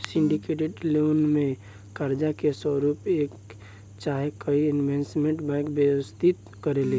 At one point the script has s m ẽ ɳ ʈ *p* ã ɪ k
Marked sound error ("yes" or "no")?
yes